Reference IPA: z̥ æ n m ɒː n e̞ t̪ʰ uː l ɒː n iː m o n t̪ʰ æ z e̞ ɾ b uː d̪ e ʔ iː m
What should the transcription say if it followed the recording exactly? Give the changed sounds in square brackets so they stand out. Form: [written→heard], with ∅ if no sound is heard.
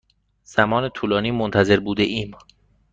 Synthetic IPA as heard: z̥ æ [n→∅] m ɒː n e̞ t̪ʰ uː l ɒː n iː m o n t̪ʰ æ z e̞ ɾ b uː d̪ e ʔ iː m